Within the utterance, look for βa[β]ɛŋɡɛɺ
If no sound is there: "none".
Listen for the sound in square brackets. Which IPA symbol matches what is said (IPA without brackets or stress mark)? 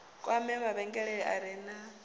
β